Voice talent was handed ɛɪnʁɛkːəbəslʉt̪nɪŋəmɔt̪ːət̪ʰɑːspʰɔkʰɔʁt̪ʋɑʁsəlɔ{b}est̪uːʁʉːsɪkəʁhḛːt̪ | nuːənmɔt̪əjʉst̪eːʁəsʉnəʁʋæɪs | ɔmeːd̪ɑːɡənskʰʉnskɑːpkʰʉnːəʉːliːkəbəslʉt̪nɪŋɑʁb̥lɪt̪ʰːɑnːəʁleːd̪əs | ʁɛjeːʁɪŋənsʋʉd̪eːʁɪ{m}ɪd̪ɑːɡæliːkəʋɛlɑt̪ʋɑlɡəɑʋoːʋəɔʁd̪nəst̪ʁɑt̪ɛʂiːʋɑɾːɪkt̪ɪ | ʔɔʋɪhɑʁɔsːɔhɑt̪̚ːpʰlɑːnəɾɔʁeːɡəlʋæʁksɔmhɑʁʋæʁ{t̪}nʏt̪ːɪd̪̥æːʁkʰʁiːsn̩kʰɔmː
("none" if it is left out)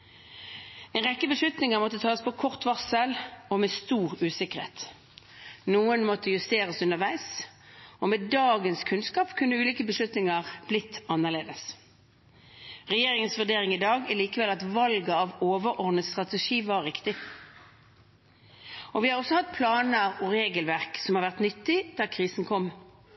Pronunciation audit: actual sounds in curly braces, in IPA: m, ŋ, t̪

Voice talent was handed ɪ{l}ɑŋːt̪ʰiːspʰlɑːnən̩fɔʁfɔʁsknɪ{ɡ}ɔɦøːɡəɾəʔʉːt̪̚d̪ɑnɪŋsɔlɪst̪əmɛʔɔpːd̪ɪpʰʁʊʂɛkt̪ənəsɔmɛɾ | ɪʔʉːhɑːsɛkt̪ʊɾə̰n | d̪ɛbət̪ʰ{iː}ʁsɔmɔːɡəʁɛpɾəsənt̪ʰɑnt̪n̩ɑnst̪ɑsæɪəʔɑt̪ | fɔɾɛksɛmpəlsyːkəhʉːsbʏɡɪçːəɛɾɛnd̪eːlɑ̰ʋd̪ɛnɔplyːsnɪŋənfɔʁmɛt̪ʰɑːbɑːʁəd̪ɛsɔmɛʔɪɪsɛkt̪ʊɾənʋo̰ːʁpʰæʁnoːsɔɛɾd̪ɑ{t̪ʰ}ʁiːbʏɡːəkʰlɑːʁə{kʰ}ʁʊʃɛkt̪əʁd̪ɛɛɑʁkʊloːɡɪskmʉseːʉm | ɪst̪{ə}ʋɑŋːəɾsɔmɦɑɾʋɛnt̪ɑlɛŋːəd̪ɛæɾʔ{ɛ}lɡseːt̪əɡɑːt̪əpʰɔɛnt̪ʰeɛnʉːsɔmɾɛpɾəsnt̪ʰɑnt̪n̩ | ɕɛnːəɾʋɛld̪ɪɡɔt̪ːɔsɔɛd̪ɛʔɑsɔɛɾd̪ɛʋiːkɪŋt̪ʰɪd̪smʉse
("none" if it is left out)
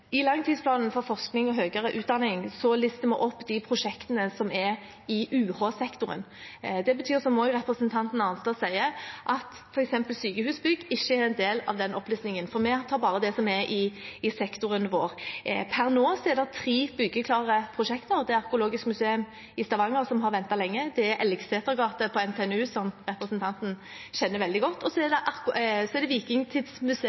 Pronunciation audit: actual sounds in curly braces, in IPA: l, ŋ, yː, t̪ʰ, pʰ, ɑ, ɛ

